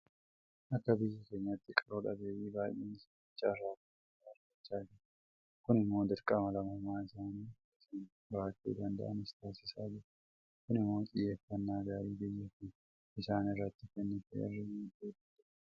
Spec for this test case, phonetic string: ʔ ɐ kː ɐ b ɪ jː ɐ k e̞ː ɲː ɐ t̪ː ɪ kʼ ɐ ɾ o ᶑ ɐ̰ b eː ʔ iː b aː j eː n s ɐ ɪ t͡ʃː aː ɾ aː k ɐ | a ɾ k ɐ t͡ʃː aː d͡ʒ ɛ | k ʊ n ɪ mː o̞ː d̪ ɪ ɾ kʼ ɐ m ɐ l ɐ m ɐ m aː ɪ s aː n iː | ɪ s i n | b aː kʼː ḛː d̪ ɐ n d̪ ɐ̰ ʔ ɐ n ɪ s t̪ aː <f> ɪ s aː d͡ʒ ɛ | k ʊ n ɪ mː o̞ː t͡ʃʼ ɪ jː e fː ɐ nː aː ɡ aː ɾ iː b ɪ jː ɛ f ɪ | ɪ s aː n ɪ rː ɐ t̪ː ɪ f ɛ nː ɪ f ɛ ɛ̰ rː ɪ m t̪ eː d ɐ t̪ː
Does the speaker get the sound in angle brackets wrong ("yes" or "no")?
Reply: yes